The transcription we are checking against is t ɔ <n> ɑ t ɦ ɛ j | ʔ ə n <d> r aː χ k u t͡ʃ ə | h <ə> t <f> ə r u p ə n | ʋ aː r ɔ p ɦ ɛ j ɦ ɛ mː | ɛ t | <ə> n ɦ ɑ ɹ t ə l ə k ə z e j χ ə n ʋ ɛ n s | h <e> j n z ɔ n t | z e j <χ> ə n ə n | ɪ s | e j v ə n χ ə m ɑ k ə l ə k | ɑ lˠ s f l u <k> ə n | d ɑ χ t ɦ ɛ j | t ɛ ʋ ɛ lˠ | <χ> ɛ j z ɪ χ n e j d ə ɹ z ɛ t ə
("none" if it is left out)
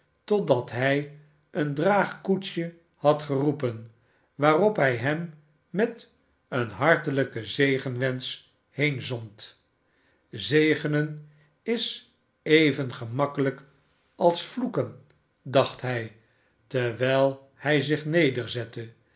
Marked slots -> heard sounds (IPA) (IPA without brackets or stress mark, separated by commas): d, d, ɑ, χ, ə, e, χ, k, h